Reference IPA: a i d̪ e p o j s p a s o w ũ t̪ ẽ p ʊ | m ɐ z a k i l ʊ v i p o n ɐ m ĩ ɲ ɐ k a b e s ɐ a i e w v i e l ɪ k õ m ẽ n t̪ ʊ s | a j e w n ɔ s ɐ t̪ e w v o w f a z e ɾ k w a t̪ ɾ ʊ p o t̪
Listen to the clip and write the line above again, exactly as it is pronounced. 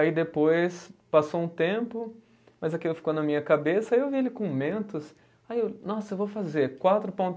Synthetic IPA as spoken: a i d̪ e p o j s p a s o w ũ t̪ ẽ p ʊ | m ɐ z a k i l ʊ f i k o n ɐ m ĩ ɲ ɐ k a b e s ɐ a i e w v i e l ɪ k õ m ẽ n t̪ ʊ s | a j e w n ɔ s ɐ e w v o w f a z e ɾ k w a t̪ ɾ ʊ p õ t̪